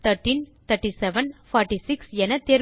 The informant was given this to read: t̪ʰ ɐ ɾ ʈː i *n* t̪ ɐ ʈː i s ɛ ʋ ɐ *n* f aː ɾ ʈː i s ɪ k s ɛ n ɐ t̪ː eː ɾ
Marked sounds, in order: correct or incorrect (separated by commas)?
correct, correct